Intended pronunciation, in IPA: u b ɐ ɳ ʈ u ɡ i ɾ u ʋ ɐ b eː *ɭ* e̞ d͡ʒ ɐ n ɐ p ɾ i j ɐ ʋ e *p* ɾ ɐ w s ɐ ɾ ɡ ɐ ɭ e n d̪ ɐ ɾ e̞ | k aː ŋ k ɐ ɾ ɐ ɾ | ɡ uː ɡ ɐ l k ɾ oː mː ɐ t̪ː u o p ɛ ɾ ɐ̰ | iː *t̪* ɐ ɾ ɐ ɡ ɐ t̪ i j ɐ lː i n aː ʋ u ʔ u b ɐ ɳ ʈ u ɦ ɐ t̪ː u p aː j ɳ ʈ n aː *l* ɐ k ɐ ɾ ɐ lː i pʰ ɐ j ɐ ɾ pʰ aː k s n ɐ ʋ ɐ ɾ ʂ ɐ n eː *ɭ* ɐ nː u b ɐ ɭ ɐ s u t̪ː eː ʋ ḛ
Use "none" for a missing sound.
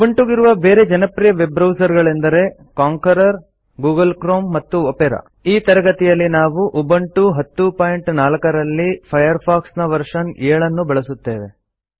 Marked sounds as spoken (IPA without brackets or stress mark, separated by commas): ɾ, b, t̪, l, ɭ